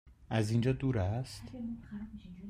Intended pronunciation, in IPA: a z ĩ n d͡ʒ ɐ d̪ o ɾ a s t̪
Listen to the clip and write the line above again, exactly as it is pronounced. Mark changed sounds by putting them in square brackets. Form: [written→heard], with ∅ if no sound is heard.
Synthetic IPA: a z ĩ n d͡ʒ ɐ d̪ [o→u] ɾ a s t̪